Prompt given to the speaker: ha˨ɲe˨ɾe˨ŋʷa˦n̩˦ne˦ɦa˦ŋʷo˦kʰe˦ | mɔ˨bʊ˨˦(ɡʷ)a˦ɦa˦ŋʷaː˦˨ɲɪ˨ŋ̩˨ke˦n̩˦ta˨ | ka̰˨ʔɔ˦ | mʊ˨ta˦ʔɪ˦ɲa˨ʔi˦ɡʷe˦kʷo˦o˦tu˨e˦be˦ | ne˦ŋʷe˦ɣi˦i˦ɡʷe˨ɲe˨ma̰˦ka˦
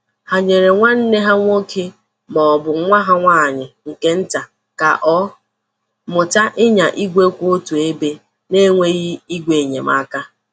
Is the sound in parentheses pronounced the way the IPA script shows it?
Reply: no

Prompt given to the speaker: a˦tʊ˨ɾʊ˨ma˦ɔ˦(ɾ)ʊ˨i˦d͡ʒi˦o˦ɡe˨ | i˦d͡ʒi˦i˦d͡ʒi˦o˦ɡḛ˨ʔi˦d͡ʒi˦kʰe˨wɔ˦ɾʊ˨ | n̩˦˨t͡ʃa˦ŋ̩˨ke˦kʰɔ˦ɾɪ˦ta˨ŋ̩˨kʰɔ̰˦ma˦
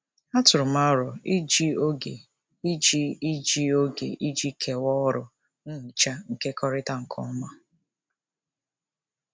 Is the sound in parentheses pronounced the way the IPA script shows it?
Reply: yes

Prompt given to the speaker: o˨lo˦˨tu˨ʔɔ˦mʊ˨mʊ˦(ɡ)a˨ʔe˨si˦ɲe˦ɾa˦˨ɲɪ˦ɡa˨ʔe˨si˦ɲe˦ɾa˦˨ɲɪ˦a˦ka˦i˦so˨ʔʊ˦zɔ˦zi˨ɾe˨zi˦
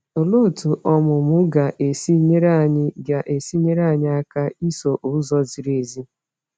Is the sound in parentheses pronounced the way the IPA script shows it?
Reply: yes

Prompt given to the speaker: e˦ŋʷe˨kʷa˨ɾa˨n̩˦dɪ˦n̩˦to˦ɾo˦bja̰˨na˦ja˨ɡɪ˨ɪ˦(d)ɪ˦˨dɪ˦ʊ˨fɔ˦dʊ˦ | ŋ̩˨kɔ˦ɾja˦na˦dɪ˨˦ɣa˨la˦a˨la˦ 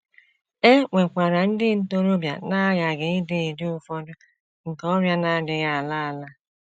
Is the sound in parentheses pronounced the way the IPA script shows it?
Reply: yes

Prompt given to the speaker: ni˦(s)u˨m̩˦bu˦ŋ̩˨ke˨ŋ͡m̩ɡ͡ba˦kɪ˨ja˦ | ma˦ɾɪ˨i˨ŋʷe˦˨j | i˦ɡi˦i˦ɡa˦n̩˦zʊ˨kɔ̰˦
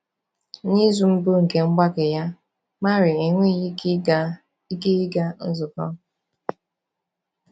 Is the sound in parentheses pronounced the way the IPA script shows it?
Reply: no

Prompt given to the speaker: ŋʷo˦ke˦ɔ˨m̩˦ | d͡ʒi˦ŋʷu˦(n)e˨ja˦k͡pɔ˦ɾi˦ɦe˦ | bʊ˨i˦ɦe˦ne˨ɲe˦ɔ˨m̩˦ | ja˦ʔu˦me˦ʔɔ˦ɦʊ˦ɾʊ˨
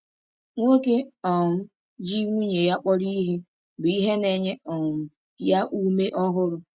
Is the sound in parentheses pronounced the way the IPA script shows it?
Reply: no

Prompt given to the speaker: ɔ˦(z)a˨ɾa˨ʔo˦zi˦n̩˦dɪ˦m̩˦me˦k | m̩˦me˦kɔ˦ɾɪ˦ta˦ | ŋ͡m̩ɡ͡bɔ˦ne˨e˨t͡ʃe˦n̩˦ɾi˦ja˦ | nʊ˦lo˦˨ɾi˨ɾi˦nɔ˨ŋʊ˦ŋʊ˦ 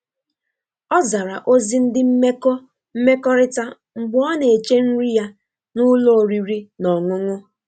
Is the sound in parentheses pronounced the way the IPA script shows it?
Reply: yes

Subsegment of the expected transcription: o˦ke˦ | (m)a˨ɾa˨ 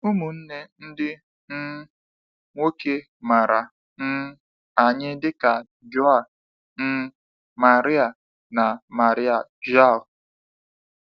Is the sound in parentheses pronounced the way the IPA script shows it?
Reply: yes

